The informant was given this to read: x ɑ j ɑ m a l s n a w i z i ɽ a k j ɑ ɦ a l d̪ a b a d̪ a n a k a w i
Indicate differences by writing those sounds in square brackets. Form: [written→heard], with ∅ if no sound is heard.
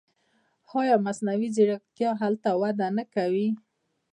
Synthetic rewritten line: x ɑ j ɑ m a [l→∅] s n a w i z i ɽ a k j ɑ ɦ a l [d̪→t̪] a [b→w] a d̪ a n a k a w i